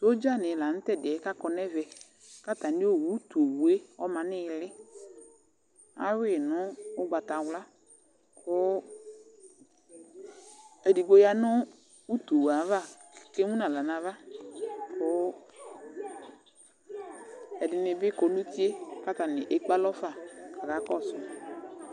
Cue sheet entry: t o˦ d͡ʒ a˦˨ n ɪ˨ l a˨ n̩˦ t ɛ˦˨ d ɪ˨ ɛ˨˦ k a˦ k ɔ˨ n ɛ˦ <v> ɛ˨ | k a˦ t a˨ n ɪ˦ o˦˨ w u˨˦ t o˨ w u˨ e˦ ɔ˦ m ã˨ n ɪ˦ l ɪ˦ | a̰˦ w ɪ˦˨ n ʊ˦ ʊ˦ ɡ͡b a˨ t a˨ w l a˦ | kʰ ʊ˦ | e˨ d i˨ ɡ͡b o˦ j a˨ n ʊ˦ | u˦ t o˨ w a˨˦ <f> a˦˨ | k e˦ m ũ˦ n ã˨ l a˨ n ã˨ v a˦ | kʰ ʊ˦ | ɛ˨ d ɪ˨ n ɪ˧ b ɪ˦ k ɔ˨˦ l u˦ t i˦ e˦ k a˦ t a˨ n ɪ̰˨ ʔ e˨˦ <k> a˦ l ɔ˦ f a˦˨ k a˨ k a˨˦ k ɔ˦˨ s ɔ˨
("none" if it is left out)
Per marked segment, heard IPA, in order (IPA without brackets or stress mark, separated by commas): v, v, k͡p